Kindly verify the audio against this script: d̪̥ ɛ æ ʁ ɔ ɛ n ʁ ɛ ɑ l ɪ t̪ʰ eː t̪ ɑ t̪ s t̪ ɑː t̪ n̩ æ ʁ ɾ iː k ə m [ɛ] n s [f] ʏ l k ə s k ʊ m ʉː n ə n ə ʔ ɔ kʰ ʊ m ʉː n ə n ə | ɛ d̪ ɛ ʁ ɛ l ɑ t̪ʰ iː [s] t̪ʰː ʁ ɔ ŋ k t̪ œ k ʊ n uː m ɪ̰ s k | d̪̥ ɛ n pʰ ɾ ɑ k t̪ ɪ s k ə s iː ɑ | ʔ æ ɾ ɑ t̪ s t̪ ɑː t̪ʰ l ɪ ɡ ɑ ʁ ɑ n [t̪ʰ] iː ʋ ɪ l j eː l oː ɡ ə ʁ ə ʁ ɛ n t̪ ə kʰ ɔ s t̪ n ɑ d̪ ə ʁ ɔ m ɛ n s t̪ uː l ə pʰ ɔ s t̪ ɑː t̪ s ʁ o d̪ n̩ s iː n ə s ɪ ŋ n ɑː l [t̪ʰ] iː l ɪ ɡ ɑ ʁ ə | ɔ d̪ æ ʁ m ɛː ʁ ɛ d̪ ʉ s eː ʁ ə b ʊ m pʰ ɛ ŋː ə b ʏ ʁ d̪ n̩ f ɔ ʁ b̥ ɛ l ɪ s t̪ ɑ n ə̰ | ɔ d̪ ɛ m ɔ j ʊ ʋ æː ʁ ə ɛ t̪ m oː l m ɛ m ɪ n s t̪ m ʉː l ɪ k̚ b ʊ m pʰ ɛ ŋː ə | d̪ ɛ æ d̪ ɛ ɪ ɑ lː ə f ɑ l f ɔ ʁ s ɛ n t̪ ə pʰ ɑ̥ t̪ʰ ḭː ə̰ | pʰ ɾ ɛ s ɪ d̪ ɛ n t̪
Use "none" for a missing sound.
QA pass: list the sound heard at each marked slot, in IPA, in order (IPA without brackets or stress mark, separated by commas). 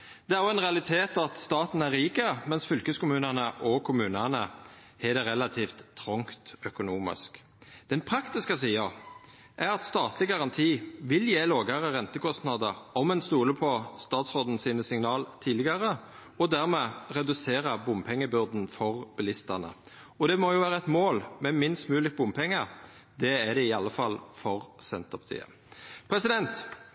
ɛ, f, f, t̪ʰ, t̪ʰ